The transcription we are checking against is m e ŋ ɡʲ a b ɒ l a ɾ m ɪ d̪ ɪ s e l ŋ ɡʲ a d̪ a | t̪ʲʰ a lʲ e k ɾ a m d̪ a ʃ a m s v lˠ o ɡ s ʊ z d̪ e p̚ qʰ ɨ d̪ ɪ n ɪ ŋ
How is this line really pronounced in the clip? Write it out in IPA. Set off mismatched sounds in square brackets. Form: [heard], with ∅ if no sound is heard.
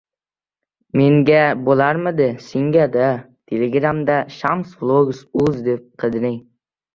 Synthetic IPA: m e ŋ ɡʲ a b [o] l a ɾ m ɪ d̪ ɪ s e [∅] ŋ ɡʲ a d̪ a | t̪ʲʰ [e] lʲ e [ɡ] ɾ a m d̪ a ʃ a m s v lˠ o ɡ s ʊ z d̪ e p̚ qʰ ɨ d̪ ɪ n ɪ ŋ